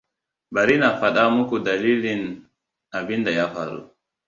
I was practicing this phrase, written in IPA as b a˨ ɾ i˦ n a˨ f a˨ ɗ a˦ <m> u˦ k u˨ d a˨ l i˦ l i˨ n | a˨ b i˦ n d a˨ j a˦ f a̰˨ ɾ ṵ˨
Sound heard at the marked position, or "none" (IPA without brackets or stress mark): m